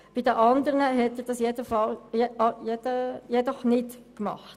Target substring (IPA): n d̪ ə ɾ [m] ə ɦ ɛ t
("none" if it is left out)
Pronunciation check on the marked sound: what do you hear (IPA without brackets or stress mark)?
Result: n